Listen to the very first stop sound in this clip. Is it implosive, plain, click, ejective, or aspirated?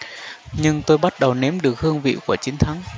plain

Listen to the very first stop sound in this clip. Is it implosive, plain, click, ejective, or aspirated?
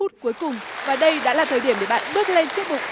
plain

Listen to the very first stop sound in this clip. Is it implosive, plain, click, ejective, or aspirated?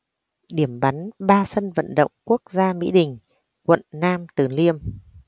implosive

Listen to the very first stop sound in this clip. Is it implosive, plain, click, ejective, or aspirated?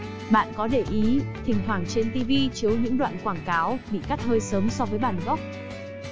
implosive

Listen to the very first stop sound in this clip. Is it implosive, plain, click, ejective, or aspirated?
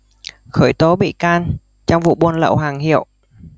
plain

